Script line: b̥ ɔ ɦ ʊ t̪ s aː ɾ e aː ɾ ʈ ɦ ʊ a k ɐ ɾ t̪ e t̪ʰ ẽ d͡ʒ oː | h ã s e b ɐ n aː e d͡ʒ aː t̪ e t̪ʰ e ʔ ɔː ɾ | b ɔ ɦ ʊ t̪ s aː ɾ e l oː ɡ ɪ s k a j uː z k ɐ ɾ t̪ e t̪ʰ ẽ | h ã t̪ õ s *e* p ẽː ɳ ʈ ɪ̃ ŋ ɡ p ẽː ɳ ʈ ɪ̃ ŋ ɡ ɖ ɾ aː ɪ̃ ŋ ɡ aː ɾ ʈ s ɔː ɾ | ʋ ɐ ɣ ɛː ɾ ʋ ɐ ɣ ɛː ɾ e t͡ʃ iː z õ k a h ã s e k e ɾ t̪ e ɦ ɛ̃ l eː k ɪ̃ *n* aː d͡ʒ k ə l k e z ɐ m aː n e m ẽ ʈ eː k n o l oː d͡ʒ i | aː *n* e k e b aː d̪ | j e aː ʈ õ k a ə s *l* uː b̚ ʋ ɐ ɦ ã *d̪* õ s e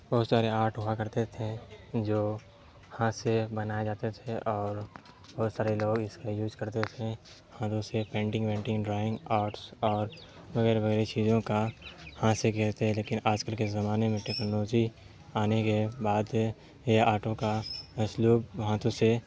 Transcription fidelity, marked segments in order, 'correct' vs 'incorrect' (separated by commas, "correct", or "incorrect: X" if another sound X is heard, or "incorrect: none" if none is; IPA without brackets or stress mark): correct, correct, correct, correct, incorrect: t̪